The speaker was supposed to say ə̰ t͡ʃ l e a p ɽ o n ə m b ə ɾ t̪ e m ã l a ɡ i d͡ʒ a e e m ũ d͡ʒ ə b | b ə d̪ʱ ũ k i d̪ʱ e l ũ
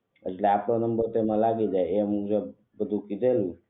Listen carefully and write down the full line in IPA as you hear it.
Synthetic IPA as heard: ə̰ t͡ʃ l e a p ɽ o n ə m b ə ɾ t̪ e m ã l a ɡ i d͡ʒ a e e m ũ d͡ʒ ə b | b ə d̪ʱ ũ k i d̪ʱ e l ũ